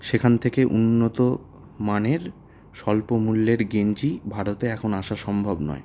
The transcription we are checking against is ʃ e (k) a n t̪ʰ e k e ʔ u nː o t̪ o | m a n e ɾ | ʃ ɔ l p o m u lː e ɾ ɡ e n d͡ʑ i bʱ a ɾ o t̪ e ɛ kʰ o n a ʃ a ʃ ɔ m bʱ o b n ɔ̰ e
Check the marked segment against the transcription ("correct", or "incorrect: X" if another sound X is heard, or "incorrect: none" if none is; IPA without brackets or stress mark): incorrect: kʰ